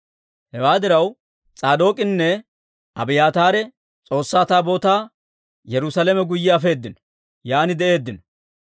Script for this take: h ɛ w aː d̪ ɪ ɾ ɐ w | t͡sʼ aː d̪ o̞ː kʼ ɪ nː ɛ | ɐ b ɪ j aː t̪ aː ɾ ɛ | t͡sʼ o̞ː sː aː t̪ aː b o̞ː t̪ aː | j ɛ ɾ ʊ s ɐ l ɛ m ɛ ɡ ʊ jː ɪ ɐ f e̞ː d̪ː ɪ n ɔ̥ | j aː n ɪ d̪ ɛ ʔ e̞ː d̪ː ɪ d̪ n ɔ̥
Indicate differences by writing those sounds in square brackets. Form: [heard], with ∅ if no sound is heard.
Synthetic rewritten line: h ɛ w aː d̪ ɪ ɾ ɐ w | t͡sʼ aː d̪ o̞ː kʼ ɪ nː ɛ | ɐ b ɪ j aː t̪ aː ɾ ɛ | t͡sʼ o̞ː sː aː t̪ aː b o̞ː t̪ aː | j ɛ ɾ ʊ s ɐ l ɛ m ɛ ɡ ʊ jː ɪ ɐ f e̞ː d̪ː ɪ n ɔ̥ | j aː n ɪ d̪ ɛ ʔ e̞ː d̪ː ɪ [∅] n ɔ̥